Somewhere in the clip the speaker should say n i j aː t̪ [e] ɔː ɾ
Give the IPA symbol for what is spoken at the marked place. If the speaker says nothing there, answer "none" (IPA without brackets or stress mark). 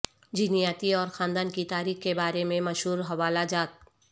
i